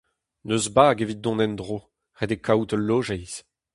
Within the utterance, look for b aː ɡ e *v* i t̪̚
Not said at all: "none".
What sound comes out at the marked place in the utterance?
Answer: v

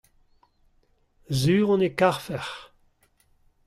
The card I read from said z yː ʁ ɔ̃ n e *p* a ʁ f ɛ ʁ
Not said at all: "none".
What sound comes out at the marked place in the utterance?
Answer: k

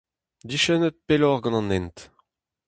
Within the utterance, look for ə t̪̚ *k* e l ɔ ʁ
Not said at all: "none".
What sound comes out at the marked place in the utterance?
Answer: p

